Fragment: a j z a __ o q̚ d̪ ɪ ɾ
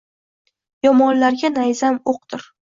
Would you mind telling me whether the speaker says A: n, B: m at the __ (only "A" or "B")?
B